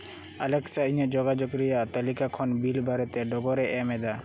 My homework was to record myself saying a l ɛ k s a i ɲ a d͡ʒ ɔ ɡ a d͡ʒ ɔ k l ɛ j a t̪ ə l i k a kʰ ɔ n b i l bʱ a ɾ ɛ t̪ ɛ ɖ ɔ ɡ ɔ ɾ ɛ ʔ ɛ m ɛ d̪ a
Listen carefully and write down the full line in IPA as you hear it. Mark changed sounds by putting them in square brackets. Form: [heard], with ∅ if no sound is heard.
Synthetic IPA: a l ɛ k s a i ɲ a d͡ʒ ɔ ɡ a d͡ʒ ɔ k [ɾ] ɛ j a t̪ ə l i k a kʰ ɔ n b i l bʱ a ɾ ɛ t̪ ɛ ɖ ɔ ɡ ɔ ɾ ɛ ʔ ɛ m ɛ d̪ a